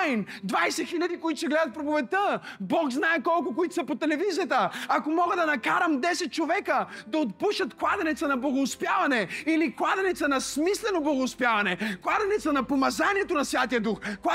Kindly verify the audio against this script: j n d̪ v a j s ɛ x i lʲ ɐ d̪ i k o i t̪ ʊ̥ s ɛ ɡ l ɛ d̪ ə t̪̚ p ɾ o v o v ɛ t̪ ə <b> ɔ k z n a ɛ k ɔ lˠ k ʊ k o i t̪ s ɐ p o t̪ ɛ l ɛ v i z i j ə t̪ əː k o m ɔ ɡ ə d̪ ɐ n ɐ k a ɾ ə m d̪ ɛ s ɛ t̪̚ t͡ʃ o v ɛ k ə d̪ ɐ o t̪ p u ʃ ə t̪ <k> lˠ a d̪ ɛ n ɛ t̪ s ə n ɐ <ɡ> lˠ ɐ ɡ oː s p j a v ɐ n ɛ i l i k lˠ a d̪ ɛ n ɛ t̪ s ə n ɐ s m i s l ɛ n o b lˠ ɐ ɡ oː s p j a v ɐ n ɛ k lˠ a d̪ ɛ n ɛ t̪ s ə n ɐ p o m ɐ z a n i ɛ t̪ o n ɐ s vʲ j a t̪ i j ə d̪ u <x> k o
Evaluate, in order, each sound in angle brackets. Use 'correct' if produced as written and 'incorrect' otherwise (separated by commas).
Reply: correct, correct, incorrect, correct